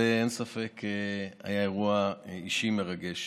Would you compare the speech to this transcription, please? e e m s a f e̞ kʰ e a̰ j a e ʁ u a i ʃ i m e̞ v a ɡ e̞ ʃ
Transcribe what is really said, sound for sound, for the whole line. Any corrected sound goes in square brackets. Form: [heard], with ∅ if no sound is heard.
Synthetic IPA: e e [n] s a f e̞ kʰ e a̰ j a e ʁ u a i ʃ i m e̞ [ʁ] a ɡ e̞ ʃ